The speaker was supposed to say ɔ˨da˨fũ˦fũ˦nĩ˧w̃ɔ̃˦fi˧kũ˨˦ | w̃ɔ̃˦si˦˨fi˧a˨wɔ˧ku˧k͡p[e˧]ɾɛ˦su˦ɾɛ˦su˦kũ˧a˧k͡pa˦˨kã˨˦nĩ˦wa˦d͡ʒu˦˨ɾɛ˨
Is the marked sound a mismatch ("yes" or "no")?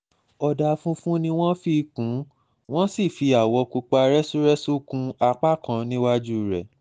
yes